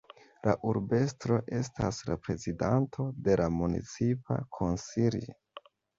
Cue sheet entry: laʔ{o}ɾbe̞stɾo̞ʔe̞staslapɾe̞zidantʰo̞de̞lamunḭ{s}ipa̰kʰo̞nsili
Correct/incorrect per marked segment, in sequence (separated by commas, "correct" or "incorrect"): incorrect, incorrect